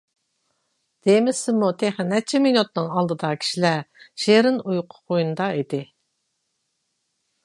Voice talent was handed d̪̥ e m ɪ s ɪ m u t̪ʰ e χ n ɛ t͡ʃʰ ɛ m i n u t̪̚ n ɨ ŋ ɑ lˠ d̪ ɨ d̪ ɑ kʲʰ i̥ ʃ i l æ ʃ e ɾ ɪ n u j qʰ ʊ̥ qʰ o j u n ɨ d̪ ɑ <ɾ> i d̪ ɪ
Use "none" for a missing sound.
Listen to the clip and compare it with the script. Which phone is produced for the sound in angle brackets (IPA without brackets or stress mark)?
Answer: none